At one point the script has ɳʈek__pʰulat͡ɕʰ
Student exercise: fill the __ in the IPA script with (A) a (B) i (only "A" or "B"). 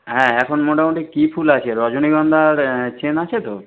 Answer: B